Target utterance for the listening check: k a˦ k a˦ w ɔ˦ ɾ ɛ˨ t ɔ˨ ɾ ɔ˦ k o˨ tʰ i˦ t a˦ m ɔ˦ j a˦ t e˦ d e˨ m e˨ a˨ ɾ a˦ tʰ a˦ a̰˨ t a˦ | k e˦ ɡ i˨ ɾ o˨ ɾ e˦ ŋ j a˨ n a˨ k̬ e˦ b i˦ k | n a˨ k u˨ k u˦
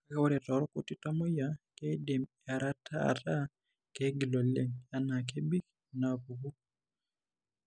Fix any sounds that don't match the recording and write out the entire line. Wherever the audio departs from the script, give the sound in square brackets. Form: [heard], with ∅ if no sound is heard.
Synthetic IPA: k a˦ k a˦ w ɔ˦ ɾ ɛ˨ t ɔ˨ ɾ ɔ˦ k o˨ [t] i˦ t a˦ m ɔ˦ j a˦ [k] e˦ d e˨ m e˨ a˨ ɾ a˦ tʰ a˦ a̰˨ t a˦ | k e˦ ɡ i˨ [l] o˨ [l] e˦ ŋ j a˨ n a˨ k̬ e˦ b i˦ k | n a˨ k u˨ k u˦

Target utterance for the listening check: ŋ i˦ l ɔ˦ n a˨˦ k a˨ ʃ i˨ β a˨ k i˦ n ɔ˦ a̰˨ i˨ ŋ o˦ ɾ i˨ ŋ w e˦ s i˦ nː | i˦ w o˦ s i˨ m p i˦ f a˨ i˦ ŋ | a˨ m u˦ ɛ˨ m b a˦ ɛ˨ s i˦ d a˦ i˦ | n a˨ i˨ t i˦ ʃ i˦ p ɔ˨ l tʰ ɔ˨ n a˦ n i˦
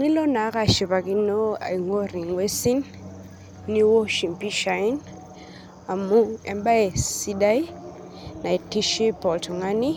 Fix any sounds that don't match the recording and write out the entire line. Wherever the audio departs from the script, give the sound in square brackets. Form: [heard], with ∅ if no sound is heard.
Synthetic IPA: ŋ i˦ l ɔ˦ n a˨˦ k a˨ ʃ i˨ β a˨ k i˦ n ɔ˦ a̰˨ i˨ ŋ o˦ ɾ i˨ ŋ w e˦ s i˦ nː | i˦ w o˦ [ʃ] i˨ m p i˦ [ʃ] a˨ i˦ [n] | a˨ m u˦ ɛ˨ m b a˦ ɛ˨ s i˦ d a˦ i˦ | n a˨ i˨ t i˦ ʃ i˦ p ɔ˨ l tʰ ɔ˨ [ŋ] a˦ n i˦

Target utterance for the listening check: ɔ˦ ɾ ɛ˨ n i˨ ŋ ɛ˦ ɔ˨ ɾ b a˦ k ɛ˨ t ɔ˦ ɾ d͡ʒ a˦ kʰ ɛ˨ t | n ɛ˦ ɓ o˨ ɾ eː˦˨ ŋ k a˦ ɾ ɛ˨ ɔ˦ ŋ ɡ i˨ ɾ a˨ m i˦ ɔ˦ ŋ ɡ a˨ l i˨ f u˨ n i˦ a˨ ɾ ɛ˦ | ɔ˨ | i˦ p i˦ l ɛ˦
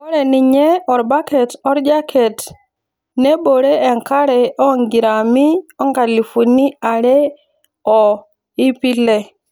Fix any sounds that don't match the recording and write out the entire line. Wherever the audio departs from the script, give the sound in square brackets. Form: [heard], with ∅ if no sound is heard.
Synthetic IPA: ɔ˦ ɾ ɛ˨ n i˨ [ɲ] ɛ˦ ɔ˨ ɾ b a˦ k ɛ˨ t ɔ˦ ɾ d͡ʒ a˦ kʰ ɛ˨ t | n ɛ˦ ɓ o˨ ɾ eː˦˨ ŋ k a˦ ɾ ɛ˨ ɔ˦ ŋ ɡ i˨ ɾ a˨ m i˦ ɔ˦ ŋ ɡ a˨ l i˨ f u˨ n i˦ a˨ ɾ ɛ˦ | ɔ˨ | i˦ p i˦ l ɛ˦

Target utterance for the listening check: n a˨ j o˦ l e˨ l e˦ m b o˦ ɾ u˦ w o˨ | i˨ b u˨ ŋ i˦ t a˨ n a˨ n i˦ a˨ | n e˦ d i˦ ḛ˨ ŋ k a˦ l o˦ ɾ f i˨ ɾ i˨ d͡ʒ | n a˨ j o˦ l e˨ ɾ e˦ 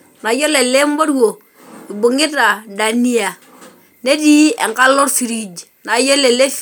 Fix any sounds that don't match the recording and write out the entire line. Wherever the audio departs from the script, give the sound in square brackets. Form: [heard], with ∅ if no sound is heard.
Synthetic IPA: n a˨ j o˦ l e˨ l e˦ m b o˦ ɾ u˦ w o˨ | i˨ b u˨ ŋ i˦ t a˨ [d] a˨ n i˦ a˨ | n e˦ d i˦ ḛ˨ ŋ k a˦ l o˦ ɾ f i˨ ɾ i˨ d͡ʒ | n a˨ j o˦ l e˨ [l] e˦

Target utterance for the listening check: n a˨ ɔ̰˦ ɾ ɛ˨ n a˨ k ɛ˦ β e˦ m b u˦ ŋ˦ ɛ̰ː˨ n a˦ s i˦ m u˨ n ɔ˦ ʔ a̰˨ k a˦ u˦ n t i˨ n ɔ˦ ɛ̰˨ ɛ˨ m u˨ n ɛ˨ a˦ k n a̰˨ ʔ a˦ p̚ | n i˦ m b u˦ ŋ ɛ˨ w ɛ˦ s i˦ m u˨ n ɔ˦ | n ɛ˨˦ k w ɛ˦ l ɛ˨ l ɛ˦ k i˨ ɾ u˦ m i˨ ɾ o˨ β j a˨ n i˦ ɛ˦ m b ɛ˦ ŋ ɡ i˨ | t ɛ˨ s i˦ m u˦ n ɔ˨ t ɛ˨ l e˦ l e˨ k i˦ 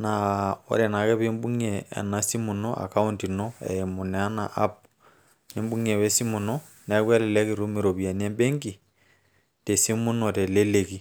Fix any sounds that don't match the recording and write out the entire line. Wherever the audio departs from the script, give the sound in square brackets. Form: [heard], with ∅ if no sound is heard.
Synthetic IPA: n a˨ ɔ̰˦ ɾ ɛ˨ n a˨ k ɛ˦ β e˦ m b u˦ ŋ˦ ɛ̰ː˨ n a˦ s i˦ m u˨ n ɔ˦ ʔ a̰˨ k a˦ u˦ n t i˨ n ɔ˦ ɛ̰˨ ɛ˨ m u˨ n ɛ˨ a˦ [∅] n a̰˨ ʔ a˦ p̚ | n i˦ m b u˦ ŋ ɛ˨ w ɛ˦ s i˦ m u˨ n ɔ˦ | n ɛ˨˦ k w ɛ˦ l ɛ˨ l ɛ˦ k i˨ ɾ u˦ m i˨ ɾ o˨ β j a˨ n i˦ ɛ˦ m b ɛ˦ ŋ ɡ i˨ | t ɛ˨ s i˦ m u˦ n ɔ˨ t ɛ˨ l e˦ l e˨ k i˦

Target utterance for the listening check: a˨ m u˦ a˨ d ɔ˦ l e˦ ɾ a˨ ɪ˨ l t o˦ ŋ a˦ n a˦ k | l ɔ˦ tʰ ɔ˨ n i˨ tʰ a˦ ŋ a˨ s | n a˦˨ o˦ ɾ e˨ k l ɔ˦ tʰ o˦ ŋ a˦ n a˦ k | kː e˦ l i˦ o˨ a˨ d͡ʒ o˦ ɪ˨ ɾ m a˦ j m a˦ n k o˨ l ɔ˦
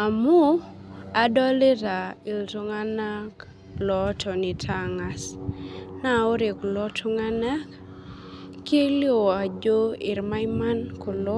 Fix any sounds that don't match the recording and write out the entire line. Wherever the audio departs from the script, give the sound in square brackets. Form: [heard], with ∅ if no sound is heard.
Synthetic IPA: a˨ m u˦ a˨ d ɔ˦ l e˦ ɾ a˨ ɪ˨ l t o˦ ŋ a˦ n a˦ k | l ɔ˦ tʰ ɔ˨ n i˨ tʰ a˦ ŋ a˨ s | n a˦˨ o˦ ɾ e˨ k l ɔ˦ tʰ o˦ ŋ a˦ n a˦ k | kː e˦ l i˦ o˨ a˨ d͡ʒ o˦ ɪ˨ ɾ m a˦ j m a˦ n k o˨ l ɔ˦

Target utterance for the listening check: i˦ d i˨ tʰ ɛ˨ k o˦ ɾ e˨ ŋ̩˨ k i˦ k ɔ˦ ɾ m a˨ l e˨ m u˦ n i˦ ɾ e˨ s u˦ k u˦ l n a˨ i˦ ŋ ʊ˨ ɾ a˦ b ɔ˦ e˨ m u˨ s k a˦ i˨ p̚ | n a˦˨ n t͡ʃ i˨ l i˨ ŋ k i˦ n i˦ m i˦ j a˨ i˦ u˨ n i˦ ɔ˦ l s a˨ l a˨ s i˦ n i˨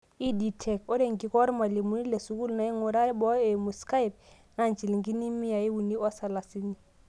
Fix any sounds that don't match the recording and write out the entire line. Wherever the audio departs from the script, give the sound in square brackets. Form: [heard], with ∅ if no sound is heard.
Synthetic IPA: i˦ d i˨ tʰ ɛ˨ k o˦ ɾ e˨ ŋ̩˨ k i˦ k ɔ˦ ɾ m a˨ l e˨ m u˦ n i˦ [l] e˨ s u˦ k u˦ l n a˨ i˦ ŋ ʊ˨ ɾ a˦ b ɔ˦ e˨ m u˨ s k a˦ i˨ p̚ | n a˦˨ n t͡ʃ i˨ l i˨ ŋ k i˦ n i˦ m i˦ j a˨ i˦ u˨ n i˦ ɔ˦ [∅] s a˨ l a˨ s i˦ n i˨

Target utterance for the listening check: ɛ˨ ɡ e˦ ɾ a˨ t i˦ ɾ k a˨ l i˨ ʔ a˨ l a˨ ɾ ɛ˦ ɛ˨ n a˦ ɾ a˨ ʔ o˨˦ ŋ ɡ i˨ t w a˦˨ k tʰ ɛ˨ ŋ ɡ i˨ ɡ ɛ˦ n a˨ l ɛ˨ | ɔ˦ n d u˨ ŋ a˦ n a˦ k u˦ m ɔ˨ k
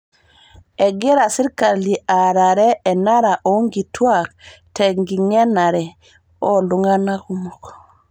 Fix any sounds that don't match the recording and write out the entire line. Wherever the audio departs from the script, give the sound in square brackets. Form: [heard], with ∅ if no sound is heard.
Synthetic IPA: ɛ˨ ɡ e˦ ɾ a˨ [s] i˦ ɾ k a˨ l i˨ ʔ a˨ [ɾ] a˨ ɾ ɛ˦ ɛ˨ n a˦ ɾ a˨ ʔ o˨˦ ŋ ɡ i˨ t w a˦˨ k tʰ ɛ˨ ŋ ɡ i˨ [ŋ] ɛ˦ n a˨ [ɾ] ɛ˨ | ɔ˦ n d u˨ ŋ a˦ n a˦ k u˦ m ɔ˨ k

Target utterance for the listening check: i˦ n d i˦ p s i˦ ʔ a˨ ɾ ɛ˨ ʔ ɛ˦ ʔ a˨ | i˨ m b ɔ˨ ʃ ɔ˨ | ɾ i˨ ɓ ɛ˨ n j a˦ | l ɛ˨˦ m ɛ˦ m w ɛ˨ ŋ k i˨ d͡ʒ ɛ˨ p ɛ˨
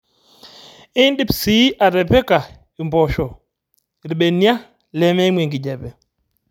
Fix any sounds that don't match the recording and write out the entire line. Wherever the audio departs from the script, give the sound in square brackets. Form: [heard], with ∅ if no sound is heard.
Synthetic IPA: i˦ n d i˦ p s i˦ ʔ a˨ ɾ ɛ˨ [p] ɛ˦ [k] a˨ | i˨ m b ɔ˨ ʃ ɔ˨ | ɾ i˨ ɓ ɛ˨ n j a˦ | l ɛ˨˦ m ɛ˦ m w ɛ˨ ŋ [ɡ] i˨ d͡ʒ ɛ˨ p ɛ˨

